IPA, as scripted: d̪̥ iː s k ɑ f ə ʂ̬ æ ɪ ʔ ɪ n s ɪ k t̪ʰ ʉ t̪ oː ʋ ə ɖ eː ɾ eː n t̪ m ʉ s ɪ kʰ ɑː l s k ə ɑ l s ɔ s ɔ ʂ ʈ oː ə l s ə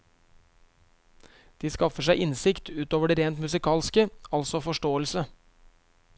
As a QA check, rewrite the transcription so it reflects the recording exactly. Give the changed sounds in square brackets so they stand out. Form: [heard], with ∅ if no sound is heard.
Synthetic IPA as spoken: d̪̥ iː s k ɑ f ə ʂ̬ æ ɪ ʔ ɪ n s ɪ k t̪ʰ [ʉː] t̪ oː ʋ ə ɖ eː ɾ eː n t̪ m ʉ s ɪ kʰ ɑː l s k ə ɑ l s ɔ [f] ɔ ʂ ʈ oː ə l s ə